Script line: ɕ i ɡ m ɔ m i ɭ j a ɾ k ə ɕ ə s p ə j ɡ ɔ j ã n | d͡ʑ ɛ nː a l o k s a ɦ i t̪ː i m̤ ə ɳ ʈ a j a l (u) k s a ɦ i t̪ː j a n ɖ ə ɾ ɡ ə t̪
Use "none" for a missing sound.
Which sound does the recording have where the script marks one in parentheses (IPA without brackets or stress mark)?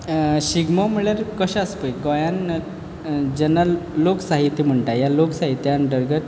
o